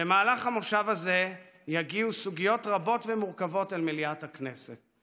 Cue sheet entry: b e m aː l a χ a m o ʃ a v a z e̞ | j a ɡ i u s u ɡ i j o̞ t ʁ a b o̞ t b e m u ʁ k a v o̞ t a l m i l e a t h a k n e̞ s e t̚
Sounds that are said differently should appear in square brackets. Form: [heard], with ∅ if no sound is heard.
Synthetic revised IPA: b e m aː l a χ a m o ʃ a v a z e̞ | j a ɡ i u s u ɡ i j o̞ t ʁ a b o̞ t [v] e m u ʁ k a v o̞ t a l m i l [i] a t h a k n e̞ s e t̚